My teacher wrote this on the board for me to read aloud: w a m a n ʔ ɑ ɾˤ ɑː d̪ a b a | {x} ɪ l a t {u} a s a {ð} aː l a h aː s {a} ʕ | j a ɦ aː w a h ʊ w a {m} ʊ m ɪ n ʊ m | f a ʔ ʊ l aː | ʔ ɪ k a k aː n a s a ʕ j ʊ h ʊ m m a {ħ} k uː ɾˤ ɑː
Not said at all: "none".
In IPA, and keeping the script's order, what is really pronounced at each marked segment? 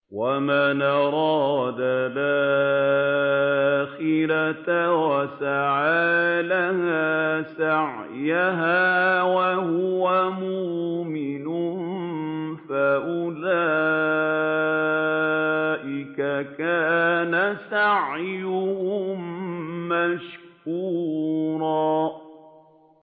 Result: x, w, ʕ, a, m, ʃ

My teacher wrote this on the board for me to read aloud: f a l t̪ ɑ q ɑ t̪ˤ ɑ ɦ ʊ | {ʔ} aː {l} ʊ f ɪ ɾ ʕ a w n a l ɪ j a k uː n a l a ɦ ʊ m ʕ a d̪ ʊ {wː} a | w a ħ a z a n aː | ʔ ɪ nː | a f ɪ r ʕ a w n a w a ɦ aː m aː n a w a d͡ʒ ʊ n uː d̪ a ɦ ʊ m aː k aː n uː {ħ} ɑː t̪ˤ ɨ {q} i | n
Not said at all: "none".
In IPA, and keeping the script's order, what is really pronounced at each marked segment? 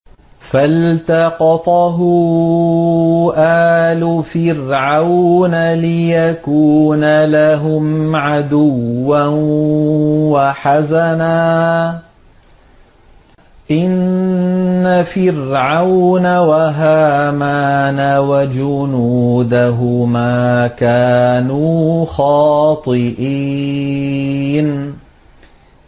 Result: ʔ, l, wː, x, ʔ

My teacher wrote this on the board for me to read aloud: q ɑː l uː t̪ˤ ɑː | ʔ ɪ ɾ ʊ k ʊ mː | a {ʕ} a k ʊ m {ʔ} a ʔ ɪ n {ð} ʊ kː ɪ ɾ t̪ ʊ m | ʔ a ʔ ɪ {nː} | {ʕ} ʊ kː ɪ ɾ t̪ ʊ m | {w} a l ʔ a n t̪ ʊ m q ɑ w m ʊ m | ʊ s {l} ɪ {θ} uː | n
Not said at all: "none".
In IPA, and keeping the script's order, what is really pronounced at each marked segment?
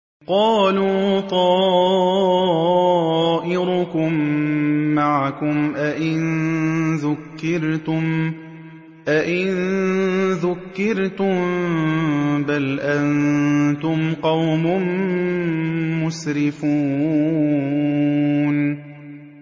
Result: ʕ, ʔ, ð, n, ð, b, ɾ, f

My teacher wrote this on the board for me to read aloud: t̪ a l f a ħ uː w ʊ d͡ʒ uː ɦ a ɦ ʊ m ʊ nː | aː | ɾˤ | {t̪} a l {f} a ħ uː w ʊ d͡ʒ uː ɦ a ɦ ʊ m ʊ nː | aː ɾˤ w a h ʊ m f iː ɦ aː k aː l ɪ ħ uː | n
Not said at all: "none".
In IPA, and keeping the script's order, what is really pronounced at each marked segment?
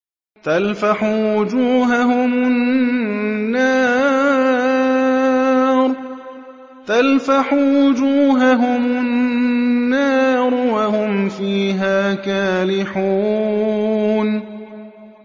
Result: t̪, f

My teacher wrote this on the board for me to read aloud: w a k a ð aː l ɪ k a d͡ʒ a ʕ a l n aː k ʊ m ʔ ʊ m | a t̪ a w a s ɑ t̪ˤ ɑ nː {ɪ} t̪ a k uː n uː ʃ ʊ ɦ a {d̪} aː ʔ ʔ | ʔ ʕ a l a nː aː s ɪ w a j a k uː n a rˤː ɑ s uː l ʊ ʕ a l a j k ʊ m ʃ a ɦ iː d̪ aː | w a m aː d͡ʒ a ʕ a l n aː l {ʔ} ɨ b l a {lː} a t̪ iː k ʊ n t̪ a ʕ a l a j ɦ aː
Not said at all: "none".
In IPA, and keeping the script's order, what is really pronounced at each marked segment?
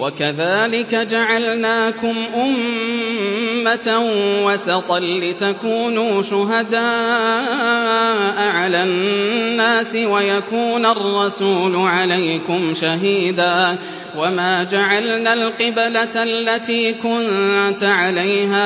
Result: ɪ, d̪, q, lː

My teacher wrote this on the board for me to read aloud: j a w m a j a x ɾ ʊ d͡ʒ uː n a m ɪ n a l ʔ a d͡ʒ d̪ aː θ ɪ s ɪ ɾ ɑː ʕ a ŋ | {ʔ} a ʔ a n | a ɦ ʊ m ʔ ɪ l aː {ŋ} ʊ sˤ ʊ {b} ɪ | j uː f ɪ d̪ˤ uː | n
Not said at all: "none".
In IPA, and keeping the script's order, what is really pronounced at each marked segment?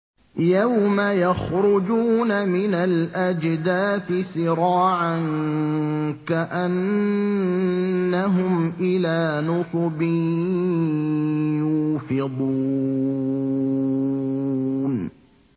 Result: k, n, b

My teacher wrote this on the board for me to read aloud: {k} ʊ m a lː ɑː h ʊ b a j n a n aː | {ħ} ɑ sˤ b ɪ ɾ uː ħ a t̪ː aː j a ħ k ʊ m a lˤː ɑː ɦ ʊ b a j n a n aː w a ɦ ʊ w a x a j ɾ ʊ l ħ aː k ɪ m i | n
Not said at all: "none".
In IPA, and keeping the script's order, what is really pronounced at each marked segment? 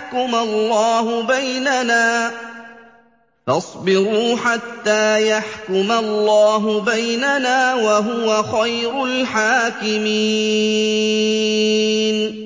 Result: k, f

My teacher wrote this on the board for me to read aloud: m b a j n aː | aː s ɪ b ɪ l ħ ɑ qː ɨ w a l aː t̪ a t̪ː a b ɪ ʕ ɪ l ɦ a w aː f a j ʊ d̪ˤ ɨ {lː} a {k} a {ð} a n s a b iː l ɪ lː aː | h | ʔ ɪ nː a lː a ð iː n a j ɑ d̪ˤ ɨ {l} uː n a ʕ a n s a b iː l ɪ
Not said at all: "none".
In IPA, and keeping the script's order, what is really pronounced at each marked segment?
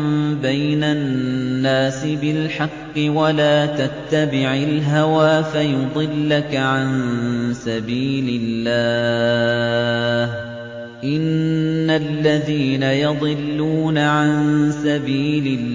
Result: lː, k, ʕ, lː

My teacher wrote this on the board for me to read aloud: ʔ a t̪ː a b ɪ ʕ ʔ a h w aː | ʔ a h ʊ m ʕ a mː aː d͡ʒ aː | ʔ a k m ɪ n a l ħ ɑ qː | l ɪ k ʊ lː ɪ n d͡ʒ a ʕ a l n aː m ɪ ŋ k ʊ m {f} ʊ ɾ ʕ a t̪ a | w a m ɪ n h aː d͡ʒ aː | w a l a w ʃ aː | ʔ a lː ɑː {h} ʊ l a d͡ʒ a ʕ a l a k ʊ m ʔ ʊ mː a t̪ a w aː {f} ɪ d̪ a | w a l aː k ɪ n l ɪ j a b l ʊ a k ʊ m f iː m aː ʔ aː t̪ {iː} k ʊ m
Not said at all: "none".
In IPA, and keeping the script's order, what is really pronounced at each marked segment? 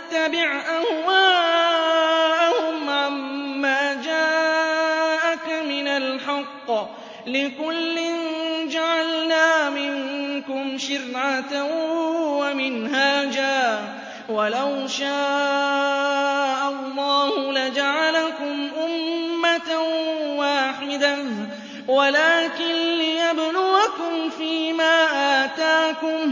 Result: ʃ, h, ħ, aː

